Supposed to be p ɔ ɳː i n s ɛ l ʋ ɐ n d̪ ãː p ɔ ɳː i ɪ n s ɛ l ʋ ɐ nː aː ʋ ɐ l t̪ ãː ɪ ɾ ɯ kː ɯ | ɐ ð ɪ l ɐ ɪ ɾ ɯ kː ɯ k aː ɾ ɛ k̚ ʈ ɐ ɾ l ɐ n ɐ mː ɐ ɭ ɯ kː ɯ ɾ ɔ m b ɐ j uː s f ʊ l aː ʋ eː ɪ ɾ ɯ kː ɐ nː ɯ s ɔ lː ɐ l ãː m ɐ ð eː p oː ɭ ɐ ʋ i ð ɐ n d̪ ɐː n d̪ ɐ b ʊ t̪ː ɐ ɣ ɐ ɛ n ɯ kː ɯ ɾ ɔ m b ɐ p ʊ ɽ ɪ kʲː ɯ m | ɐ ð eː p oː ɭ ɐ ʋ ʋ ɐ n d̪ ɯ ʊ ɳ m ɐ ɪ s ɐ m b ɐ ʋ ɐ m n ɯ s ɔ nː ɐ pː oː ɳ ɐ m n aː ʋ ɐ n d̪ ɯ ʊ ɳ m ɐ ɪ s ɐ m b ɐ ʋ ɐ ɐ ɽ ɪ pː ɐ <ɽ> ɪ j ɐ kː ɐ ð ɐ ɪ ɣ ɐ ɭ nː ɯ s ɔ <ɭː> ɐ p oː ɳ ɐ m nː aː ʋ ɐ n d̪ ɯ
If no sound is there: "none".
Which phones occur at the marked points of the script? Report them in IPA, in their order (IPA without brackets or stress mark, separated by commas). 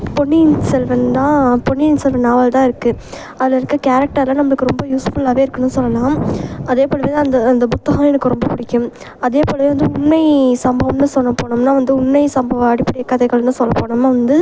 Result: ɽ, lː